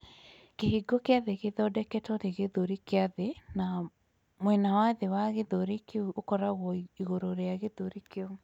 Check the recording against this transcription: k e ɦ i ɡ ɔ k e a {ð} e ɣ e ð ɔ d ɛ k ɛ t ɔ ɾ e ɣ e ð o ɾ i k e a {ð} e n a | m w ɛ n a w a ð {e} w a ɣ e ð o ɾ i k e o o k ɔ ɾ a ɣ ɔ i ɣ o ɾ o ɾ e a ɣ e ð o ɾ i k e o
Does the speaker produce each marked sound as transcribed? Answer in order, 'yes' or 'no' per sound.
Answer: yes, yes, yes

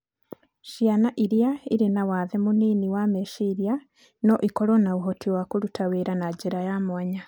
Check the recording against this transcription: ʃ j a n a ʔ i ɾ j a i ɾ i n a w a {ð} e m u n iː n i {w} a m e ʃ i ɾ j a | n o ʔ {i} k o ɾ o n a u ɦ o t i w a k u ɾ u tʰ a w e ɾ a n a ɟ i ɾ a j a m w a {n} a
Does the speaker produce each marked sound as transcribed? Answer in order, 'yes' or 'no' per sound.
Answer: yes, yes, yes, no

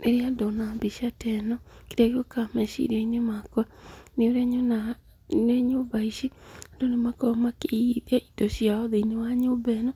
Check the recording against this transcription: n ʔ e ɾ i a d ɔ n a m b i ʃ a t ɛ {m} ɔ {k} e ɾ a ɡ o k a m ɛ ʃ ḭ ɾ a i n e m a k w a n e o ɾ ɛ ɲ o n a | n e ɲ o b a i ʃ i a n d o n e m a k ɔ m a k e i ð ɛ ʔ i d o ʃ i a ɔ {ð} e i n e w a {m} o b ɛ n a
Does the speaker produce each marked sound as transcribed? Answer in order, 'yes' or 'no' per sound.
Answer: no, yes, yes, no

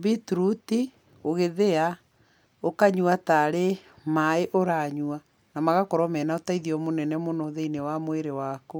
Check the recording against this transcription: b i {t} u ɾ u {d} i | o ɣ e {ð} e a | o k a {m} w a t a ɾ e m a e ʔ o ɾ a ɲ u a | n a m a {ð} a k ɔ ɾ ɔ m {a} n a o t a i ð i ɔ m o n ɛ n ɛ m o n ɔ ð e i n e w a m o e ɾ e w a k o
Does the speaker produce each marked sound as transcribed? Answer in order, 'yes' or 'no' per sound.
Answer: yes, no, yes, no, no, no

